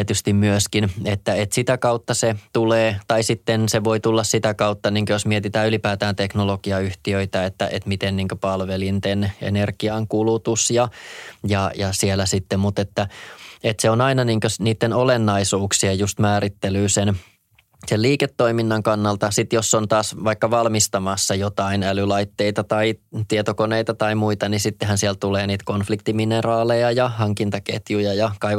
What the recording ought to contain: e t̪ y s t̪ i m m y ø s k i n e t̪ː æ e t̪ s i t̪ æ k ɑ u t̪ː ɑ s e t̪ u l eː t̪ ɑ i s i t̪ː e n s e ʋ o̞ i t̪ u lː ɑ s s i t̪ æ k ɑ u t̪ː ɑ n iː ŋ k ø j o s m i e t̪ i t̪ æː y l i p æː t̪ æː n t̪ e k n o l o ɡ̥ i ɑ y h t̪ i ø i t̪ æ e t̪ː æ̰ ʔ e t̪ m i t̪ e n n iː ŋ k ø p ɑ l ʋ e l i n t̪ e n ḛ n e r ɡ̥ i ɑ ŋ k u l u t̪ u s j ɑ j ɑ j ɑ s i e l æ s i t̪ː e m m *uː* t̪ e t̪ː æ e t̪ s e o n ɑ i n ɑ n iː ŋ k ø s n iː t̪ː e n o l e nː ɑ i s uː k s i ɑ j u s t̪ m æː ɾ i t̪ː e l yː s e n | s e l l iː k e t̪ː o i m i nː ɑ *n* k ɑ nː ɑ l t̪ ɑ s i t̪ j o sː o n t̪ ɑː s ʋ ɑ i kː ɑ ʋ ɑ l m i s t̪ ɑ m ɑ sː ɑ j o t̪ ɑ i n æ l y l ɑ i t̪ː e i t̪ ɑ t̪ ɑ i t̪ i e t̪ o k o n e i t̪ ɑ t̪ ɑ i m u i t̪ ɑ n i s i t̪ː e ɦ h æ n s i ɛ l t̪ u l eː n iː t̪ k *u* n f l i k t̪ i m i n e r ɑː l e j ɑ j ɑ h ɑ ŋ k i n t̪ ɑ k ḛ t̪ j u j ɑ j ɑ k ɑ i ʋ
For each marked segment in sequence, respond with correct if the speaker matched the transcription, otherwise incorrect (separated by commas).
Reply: incorrect, incorrect, incorrect